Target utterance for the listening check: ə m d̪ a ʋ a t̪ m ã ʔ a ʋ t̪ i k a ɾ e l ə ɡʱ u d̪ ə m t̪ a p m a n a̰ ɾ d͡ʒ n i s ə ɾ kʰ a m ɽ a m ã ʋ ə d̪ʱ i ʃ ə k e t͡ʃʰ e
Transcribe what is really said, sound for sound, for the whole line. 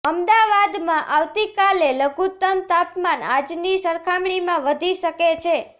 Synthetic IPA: ə m d̪ a ʋ a d̪ m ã ʔ a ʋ t̪ i k a l e l ə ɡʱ u t̪ ə m t̪ a p m a n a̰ d͡ʒ n i s ə ɾ kʰ a m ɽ i m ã ʋ ə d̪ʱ i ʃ ə k e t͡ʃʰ e